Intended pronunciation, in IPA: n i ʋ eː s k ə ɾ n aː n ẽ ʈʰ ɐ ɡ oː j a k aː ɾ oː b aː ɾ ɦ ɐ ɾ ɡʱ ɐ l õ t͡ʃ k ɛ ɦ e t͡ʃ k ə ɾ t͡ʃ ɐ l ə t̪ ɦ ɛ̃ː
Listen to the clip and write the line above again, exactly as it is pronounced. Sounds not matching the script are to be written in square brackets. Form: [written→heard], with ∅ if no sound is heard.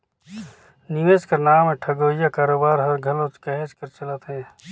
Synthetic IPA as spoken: n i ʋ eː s k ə ɾ n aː [n→m] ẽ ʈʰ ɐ ɡ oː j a k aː ɾ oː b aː ɾ ɦ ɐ ɾ ɡʱ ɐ l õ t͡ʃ k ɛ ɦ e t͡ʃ k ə ɾ t͡ʃ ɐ l ə t̪ ɦ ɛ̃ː